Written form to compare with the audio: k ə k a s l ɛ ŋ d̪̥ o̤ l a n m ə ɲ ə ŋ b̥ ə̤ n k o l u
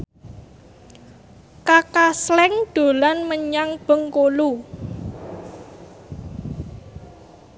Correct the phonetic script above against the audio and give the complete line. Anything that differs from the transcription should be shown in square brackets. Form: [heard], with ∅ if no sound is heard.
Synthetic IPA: k [a] k a s l ɛ ŋ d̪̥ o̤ l a n m ə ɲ [a] ŋ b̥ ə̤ [ŋ] k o l u